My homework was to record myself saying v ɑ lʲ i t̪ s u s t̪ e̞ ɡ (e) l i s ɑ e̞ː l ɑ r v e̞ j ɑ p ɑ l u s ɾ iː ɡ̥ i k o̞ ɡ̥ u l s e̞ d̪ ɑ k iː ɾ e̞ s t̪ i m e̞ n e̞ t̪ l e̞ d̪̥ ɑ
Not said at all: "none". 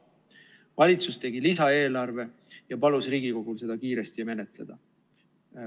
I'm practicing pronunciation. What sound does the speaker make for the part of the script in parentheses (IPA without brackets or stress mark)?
i